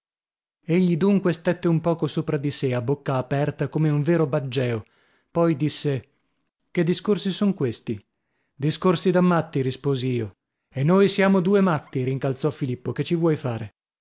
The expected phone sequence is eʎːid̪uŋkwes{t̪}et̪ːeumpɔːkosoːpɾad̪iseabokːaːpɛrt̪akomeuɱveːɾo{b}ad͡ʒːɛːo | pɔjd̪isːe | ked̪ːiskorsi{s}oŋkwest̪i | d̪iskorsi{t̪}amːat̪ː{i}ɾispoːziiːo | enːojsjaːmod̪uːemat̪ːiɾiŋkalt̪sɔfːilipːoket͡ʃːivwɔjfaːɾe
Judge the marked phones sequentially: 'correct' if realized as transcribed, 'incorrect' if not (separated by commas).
correct, correct, correct, incorrect, correct